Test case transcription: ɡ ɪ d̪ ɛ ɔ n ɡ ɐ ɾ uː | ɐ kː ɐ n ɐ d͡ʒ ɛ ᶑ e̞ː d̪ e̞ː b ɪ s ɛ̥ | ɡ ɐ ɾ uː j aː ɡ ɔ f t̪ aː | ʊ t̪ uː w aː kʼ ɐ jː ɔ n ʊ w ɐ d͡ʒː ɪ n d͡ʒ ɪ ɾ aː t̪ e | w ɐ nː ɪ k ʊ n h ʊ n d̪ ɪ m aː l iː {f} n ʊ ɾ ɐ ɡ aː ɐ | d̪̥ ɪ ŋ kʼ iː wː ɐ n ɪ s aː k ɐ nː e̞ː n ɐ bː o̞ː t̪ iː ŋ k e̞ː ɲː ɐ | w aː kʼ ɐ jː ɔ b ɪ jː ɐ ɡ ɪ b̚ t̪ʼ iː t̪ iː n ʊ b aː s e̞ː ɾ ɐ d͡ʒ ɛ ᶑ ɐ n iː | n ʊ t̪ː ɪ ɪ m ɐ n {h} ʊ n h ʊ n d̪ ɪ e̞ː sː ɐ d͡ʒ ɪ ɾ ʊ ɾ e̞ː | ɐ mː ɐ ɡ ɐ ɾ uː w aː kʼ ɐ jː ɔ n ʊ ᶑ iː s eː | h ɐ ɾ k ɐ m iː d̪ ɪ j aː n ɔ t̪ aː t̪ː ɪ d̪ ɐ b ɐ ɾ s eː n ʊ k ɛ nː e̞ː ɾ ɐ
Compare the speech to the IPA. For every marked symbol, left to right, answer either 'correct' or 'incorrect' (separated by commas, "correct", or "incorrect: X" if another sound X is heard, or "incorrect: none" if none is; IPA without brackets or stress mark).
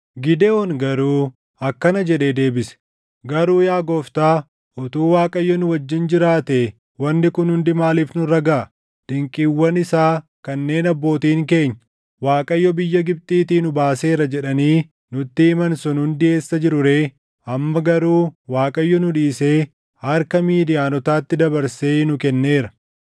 correct, incorrect: s